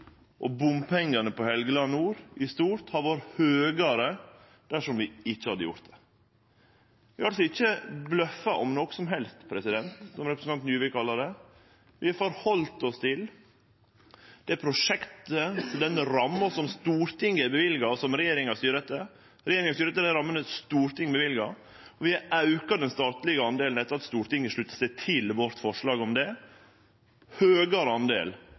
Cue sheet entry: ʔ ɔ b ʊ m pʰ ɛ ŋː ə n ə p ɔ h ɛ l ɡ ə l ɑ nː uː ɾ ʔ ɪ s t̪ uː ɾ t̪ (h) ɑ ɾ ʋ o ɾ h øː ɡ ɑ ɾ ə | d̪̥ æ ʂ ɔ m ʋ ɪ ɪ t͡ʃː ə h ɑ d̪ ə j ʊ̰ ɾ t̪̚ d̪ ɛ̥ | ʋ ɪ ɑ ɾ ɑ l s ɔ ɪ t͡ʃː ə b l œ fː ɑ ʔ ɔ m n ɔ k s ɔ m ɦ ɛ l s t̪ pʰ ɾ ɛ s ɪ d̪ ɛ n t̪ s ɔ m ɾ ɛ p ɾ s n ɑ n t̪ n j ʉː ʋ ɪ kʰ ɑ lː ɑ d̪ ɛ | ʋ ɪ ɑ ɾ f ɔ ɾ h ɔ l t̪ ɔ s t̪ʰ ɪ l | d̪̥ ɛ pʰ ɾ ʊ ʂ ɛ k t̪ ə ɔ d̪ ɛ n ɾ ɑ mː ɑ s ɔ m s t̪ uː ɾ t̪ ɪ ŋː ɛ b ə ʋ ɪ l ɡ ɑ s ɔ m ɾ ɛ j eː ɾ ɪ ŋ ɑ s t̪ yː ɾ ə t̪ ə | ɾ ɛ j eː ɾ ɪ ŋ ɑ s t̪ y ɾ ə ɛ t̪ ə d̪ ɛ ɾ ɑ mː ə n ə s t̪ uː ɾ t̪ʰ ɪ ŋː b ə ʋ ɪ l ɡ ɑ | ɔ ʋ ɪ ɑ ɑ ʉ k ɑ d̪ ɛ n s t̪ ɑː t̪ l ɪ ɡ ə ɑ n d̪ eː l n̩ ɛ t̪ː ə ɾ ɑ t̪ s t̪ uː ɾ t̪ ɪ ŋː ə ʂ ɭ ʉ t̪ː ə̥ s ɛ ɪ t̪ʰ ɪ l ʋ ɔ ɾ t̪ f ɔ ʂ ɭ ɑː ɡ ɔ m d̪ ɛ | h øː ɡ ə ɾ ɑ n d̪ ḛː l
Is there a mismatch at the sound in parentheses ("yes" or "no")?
no